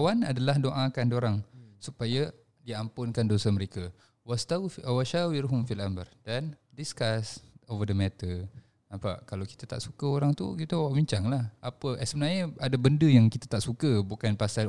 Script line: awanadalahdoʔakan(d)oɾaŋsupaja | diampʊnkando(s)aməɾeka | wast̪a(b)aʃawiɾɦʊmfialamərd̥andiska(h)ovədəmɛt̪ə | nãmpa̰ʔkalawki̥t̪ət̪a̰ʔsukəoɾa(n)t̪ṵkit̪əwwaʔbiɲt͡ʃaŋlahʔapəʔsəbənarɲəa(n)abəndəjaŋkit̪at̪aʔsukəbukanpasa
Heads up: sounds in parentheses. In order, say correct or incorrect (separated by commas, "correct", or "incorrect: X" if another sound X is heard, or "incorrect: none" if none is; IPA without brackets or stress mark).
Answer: correct, correct, incorrect: w, incorrect: s, incorrect: ŋ, incorrect: d